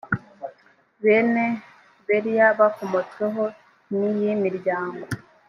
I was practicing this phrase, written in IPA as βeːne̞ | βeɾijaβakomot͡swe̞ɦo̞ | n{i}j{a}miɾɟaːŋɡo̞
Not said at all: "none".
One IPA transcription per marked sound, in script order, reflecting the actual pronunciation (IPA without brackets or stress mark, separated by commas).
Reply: i, i